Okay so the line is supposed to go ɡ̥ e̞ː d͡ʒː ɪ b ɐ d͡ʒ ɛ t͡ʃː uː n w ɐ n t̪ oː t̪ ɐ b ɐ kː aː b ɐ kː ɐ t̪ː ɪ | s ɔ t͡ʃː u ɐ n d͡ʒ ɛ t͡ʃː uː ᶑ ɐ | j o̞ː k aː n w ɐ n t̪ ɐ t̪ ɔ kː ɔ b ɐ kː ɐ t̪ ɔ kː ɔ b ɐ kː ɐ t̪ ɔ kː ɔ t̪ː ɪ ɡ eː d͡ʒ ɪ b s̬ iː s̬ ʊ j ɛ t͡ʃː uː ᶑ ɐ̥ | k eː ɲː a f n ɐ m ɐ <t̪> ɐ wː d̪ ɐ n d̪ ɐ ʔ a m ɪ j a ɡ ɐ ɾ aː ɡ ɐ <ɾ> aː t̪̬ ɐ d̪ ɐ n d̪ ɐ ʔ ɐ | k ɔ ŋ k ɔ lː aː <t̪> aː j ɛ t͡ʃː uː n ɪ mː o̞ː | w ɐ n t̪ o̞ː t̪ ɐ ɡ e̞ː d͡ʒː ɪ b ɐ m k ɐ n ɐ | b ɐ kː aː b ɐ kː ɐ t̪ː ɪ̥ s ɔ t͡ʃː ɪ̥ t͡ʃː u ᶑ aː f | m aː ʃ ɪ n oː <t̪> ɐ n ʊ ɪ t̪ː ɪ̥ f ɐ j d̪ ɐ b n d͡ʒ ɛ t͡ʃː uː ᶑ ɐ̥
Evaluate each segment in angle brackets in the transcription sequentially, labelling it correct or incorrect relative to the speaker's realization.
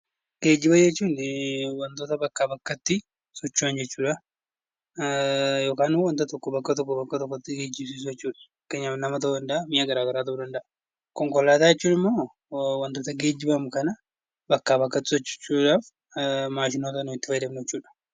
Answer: correct, correct, correct, correct

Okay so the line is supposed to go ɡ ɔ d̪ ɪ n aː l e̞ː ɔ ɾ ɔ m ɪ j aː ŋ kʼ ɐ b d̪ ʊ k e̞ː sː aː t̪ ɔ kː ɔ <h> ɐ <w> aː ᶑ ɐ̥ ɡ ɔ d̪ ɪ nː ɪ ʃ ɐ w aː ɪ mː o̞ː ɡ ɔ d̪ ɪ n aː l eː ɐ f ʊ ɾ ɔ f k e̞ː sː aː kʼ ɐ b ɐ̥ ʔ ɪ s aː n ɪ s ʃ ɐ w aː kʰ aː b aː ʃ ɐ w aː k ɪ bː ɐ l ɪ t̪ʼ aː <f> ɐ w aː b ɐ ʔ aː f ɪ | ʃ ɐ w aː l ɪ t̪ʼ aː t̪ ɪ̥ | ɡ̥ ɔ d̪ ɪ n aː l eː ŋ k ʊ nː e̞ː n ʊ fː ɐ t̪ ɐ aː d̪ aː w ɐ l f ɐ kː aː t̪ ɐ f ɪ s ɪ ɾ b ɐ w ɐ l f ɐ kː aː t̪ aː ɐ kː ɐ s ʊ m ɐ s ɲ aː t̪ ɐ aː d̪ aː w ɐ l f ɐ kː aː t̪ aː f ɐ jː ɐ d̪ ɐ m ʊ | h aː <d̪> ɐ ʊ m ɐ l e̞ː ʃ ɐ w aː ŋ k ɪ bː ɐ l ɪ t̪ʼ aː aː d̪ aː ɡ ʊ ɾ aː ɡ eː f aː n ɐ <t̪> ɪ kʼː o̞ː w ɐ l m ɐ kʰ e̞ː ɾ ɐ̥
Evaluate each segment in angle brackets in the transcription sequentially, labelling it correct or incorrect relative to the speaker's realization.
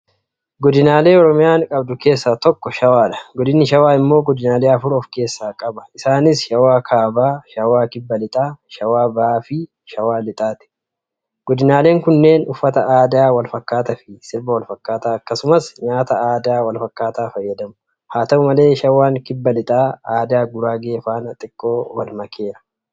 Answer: incorrect: ʃ, correct, incorrect: ʃ, incorrect: t̪, incorrect: t̪ʼ

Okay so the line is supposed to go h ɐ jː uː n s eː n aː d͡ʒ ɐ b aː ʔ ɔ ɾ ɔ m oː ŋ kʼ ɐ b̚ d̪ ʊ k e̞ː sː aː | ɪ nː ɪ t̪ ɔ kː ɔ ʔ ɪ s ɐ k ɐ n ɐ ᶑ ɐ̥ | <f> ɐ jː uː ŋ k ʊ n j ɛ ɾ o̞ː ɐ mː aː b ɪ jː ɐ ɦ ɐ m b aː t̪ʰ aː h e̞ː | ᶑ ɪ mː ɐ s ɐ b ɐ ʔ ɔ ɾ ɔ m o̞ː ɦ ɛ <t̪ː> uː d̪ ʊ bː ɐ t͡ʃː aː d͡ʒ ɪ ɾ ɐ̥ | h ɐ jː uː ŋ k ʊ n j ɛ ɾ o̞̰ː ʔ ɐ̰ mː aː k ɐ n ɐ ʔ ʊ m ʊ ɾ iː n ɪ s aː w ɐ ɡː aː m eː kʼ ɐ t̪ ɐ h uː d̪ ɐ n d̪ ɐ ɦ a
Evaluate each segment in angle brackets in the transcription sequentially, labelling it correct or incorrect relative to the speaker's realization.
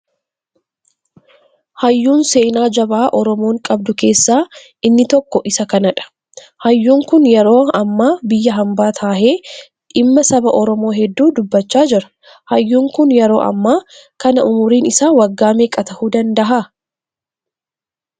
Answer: incorrect: h, incorrect: d̪ː

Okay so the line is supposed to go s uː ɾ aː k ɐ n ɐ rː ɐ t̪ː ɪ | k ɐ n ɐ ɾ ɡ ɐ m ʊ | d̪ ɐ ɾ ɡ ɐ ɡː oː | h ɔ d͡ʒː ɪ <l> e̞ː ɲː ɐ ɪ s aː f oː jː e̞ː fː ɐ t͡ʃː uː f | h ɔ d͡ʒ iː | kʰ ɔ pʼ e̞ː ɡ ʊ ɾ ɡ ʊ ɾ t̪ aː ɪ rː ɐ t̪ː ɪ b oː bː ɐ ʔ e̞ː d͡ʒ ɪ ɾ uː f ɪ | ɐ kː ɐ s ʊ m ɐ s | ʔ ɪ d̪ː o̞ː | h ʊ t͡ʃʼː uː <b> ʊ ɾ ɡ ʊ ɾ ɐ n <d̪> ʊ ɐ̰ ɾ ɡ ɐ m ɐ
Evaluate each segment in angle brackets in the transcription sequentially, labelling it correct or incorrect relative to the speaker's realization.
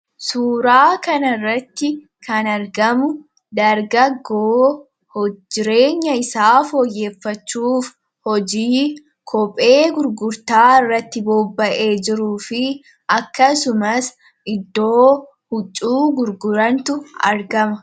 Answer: incorrect: ɾ, incorrect: ɡ, incorrect: t̪

